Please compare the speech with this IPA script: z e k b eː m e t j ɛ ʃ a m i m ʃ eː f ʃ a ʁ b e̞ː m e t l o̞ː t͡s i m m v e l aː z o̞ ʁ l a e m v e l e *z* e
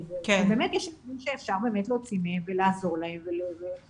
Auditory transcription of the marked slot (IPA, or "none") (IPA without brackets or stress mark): v